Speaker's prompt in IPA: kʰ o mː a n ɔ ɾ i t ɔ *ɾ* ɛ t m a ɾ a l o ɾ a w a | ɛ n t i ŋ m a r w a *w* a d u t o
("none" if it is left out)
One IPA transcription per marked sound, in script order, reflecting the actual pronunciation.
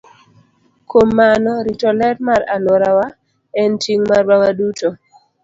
l, w

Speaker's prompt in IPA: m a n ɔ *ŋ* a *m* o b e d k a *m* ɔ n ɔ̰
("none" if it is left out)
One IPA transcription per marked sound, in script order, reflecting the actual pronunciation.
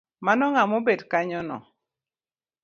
ŋ, m, ɲ

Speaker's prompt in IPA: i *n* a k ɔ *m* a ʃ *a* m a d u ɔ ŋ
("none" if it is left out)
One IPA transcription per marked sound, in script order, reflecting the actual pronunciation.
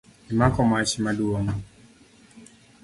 m, m, i

